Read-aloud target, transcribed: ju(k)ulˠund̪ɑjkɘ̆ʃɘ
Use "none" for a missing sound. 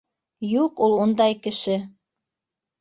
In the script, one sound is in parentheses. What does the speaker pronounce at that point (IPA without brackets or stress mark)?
q